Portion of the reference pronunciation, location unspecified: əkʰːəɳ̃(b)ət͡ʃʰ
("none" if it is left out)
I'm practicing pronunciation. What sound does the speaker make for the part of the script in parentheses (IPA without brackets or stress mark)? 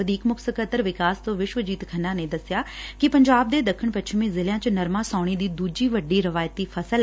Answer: p